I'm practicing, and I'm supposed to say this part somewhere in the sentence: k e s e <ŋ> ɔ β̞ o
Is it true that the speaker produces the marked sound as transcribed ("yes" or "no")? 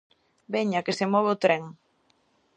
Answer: no